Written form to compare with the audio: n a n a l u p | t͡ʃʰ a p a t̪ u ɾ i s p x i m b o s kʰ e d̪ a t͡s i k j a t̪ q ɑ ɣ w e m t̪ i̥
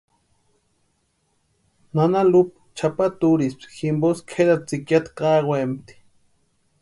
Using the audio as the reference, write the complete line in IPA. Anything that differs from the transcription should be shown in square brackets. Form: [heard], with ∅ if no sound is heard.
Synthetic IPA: n a n a l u p | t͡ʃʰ a p a t̪ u ɾ i s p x i m b o s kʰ e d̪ a t͡s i k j a t̪ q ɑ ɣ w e m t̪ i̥